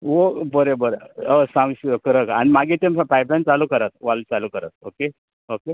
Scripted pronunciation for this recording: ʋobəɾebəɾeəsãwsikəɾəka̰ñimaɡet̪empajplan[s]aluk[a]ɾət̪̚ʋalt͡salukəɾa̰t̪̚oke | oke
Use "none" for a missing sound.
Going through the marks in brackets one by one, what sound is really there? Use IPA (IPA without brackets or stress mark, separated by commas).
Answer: t͡s, ə